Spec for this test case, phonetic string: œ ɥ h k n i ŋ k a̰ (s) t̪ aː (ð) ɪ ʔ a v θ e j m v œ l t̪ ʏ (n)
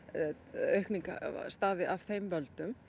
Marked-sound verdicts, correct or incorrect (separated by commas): correct, incorrect, incorrect